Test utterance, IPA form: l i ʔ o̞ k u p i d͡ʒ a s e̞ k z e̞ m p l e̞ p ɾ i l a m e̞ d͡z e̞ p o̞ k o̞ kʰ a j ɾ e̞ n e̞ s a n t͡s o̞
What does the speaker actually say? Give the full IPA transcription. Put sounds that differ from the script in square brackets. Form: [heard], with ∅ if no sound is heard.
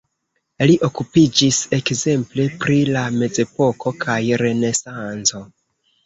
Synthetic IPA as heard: l i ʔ o̞ k u p i d͡ʒ [i] s e̞ k z e̞ m p l e̞ p ɾ i l a m e̞ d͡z e̞ p o̞ k o̞ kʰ a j ɾ e̞ n e̞ s a n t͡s o̞